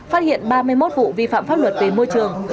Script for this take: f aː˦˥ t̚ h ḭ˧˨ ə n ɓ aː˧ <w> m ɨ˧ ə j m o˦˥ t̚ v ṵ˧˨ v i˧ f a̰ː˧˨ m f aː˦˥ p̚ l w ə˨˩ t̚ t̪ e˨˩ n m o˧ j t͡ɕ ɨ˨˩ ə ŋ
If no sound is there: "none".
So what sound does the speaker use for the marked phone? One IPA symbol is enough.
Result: none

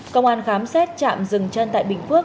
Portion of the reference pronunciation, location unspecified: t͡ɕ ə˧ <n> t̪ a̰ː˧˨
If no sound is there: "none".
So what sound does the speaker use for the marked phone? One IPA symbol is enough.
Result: n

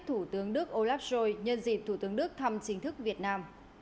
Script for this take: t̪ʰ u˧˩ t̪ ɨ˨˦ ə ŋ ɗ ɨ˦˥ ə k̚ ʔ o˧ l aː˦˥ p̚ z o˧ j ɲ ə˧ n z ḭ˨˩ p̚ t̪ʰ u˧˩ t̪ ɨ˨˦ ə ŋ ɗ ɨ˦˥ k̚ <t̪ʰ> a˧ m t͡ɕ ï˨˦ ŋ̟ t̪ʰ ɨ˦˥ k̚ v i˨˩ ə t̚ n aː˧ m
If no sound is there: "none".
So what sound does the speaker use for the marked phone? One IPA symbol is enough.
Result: t̪ʰ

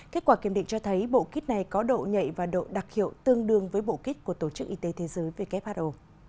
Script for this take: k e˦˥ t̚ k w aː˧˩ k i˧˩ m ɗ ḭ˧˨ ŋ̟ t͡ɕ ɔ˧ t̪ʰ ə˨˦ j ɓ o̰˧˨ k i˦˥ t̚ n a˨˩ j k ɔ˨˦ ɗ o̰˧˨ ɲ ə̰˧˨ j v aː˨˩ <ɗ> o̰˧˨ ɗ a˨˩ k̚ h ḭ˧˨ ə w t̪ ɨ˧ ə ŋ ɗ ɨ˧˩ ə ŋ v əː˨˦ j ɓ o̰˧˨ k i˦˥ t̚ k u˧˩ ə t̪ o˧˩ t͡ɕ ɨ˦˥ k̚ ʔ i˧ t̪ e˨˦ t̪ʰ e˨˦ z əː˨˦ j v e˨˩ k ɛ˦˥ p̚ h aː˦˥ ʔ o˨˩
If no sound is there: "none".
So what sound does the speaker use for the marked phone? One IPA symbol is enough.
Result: ɗ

